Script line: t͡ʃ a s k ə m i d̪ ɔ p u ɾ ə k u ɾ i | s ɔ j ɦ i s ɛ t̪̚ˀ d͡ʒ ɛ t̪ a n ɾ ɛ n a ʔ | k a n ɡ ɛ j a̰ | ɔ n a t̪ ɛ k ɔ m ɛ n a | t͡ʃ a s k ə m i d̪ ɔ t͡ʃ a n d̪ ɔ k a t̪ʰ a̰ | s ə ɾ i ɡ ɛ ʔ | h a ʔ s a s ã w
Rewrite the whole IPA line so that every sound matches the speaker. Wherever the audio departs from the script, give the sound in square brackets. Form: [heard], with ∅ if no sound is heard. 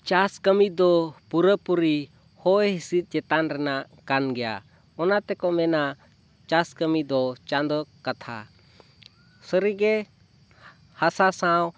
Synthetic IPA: t͡ʃ a s k ə m i d̪ ɔ p u ɾ ə [p] u ɾ i | [h] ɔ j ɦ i s [i] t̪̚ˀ d͡ʒ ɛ t̪ a n ɾ ɛ n a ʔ | k a n ɡ ɛ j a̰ | ɔ n a t̪ ɛ k ɔ m ɛ n a | t͡ʃ a s k ə m i d̪ ɔ t͡ʃ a n d̪ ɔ k a t̪ʰ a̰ | s ə ɾ i ɡ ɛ [∅] | h a [∅] s a s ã w